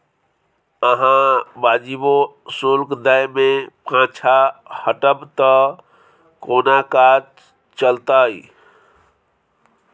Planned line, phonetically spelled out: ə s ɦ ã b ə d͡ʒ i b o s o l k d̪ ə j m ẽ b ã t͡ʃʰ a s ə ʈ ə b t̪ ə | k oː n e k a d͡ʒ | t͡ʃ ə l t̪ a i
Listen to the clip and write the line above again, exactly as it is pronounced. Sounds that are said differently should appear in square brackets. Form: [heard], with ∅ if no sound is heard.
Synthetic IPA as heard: ə [∅] ɦ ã b [a] d͡ʒ i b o s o l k d̪ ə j m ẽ [p] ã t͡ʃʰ a [h] ə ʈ ə b t̪ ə | k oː n [a] k a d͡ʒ | t͡ʃ ə l t̪ a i